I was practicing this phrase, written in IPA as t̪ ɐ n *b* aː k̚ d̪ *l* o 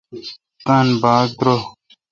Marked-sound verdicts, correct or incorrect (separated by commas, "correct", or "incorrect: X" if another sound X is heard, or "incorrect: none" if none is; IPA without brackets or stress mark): correct, incorrect: ɾ